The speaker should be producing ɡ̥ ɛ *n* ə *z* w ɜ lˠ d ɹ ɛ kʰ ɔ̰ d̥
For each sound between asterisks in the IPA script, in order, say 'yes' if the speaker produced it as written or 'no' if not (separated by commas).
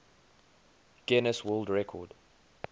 yes, no